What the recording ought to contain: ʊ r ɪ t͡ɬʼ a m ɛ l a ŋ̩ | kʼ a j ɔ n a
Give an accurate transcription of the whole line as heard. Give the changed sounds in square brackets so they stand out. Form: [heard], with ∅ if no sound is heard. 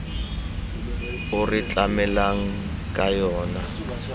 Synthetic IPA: ʊ r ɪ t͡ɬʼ a m ɛ l a ŋ̩ | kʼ a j [ɔː] n a